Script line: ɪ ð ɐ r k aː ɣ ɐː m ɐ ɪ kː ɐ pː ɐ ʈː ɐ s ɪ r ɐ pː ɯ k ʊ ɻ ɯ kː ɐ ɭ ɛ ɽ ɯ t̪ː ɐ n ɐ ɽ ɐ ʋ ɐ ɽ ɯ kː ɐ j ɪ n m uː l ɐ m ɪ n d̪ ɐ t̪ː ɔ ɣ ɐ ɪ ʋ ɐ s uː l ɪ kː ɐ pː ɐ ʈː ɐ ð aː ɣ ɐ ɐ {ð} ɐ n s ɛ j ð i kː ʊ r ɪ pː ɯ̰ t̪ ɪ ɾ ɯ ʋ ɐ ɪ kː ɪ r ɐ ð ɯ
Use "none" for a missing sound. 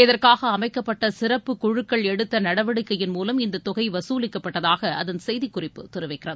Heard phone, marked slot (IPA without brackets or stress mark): ð